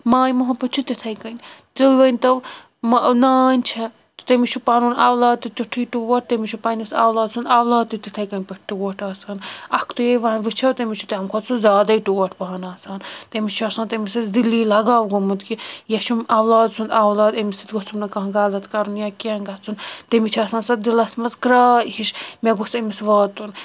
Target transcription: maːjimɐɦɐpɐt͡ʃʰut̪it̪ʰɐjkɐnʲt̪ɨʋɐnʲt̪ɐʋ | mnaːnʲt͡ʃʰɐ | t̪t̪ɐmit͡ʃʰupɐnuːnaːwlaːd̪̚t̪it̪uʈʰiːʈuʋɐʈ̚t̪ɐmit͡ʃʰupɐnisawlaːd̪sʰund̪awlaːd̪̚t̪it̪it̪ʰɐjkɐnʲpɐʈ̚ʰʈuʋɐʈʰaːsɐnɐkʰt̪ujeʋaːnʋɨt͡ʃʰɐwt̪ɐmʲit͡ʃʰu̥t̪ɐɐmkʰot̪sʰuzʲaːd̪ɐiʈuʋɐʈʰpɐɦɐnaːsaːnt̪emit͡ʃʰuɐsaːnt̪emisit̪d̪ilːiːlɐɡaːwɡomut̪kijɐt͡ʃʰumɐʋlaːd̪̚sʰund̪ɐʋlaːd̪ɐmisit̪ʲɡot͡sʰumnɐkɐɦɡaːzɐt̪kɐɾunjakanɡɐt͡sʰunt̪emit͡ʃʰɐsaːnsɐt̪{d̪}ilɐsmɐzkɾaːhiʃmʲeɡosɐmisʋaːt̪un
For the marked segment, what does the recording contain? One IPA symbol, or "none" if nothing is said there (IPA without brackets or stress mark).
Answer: d̪